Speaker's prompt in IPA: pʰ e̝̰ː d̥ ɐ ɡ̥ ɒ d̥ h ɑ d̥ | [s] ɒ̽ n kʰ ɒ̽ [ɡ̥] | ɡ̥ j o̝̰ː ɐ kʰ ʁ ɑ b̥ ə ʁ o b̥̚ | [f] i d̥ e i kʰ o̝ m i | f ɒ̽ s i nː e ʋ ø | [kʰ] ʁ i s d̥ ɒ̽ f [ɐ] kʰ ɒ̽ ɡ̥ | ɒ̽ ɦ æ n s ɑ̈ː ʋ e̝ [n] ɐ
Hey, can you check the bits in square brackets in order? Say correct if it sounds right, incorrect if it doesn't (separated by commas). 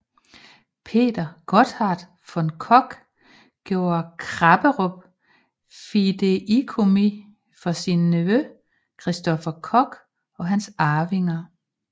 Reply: incorrect, correct, correct, correct, correct, incorrect